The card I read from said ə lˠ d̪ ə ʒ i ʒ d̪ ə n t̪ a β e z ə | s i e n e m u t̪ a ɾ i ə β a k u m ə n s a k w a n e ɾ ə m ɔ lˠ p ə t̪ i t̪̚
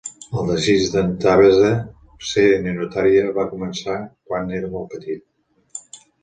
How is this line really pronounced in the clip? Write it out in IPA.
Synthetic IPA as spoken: ə lˠ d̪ ə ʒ i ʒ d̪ ə n t̪ a β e z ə | s e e n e n u t̪ a ɾ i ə β a k u m ə n s a k w a n e ɾ ə m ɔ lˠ p ə t̪ i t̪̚

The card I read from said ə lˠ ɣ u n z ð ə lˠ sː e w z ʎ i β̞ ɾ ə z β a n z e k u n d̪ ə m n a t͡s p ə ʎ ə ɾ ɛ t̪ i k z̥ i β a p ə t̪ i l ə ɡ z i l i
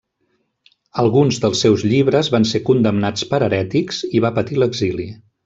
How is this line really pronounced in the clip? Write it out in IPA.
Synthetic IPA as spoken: ə lˠ ɣ u n z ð ə lˠ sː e w z ʎ i β̞ ɾ ə z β a n s e k u n d̪ ə m n a t͡s p ə ɾ ə ɾ ɛ t̪ i k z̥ i β a p ə t̪ i l ə ɡ z i l i

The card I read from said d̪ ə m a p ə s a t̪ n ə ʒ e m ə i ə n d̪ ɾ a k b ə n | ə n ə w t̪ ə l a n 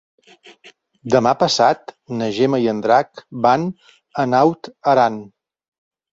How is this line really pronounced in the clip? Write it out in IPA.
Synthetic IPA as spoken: d̪ ə m a p ə s a t̪ n ə ʒ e m ə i ə n d̪ ɾ a k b a n | ə n a w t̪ ə ɾ a n

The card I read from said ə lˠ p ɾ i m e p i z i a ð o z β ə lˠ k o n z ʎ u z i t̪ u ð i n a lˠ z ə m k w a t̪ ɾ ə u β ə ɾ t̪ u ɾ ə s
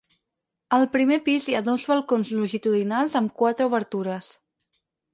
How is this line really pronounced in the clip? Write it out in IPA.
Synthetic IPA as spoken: ə lˠ p ɾ i m e p i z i a ð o z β ə lˠ k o n z l u ʒ i t̪ u ð i n a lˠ z ə m k w a t̪ ɾ ə u β ə ɾ t̪ u ɾ ə s

